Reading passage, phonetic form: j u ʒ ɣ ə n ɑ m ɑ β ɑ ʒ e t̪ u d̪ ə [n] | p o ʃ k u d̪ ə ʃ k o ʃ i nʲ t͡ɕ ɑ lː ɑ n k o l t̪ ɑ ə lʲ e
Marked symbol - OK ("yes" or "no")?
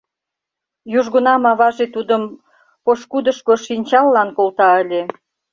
no